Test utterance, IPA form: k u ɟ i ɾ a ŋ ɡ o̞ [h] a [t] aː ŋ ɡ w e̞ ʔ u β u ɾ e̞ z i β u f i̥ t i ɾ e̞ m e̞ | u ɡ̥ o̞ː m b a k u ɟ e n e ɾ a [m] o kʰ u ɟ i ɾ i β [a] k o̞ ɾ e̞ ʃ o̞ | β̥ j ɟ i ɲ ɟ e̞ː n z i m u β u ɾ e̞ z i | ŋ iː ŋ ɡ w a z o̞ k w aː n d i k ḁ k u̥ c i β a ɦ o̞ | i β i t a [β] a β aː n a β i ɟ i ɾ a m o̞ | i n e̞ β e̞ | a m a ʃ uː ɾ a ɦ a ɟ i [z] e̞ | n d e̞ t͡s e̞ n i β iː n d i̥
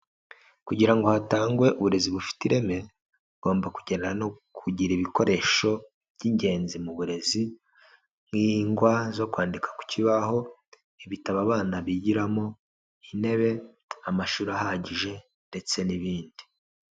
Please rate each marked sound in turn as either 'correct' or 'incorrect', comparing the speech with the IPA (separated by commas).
correct, correct, incorrect, incorrect, correct, incorrect